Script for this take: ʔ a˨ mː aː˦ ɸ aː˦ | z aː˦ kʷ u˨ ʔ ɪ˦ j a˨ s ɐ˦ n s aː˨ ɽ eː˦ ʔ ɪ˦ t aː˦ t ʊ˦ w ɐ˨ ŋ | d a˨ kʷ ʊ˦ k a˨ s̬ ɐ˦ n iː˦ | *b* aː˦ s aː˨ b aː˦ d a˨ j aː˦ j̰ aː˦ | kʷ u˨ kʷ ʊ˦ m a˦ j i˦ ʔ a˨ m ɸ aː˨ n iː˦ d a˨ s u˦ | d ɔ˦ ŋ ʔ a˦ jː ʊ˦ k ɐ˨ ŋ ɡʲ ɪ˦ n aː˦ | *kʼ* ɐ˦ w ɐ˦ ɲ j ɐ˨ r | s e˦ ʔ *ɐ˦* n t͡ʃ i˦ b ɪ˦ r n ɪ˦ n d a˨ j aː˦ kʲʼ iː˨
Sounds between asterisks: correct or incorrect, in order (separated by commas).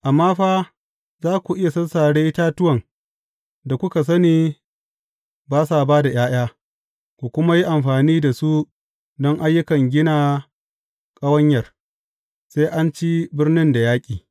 correct, correct, incorrect